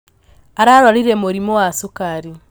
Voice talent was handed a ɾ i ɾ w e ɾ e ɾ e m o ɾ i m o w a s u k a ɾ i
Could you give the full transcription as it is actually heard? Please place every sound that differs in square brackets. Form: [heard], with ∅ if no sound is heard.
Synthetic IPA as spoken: a ɾ [a] ɾ w [a] ɾ [i] ɾ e m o ɾ i m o w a s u k a ɾ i